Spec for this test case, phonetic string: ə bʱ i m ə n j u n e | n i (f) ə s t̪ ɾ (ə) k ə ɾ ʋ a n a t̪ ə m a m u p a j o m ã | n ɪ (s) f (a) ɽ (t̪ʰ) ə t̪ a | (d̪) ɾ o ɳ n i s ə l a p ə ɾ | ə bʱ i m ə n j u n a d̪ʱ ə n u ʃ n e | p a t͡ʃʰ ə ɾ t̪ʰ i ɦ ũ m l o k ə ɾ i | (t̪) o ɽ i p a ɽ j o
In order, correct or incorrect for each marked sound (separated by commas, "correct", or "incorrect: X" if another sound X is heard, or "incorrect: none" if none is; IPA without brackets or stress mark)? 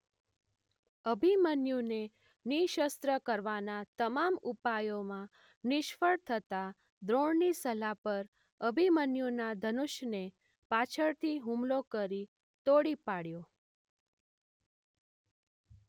incorrect: ʃ, correct, incorrect: ʃ, incorrect: ə, correct, correct, correct